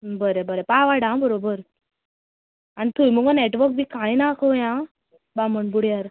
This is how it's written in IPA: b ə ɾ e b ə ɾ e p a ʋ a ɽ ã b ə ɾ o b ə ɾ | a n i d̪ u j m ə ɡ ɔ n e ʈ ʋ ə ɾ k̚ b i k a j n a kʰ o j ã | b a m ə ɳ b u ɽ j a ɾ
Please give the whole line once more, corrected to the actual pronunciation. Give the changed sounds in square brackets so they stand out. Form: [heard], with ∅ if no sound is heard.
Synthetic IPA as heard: b ə ɾ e b ə ɾ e p a ʋ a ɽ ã b ə ɾ o b ə ɾ | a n i [t̪] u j m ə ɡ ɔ n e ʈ ʋ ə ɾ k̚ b i k a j n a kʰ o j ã | b a m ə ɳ b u ɽ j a ɾ